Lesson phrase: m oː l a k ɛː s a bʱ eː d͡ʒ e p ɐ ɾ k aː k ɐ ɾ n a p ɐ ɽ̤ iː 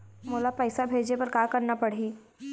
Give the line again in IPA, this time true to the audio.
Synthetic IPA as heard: m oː l a p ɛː s a bʱ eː d͡ʒ e p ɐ ɾ k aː k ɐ ɾ n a p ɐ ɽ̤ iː